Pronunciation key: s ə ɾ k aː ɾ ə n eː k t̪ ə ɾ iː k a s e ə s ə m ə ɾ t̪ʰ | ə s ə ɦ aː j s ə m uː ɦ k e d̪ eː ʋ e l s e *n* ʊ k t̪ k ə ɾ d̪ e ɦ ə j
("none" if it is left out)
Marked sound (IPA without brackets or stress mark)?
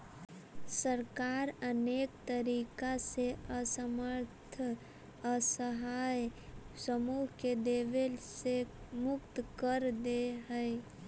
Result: m